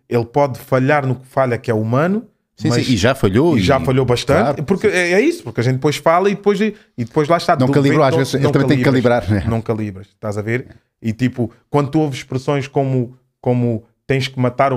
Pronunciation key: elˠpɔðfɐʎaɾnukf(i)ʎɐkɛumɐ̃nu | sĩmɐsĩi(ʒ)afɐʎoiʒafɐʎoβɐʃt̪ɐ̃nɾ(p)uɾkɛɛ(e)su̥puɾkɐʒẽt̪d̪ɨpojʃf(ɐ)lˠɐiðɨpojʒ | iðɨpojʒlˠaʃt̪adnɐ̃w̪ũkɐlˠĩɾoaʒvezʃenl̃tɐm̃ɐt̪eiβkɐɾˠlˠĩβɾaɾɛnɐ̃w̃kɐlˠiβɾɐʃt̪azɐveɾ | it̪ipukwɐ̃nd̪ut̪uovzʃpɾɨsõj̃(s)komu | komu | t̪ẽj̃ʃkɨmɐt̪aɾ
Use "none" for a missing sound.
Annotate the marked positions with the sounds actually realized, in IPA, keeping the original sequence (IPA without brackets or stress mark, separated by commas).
a, ʒ, p, i, a, ʃ